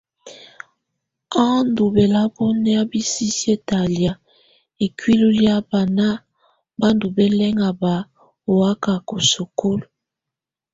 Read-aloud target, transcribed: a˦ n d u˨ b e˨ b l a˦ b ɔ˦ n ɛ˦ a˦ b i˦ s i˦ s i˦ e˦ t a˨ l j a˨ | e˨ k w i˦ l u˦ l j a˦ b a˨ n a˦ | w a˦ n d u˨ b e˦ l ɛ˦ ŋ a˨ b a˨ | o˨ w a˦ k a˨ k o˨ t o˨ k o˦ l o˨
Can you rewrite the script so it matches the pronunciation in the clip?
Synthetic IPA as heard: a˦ n d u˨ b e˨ l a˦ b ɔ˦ n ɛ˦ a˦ b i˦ s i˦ s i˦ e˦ t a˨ l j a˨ | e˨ k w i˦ l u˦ l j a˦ b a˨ n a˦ | b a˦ n d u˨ b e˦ l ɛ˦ ŋ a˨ b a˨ | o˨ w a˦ k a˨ k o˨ s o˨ k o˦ l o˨